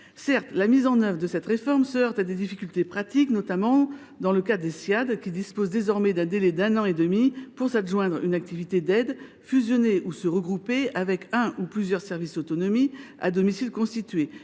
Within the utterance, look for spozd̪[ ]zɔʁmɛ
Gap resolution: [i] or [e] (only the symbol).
e